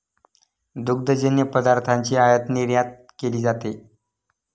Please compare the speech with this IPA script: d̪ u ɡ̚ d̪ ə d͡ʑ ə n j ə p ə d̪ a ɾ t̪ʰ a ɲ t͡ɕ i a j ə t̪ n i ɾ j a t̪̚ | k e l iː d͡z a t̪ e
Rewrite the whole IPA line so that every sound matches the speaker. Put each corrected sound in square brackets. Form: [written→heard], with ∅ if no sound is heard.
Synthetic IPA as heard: d̪ u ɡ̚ d̪ ə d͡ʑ ə n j ə p ə d̪ a ɾ t̪ʰ a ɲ t͡ɕ [i→iː] a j ə t̪ n i ɾ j a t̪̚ | k e l iː d͡z a t̪ e